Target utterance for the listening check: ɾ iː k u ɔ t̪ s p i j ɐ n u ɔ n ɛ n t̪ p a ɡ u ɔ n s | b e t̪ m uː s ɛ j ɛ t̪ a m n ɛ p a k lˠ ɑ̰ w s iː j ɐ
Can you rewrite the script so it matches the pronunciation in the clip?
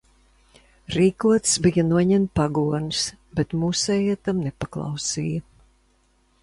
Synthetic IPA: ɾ iː k u ɔ t̪ s b i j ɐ n u ɔ ɲ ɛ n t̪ p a ɡ u ɔ n s | b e t̪ m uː s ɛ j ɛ t̪ a m n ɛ p a k lˠ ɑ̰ w s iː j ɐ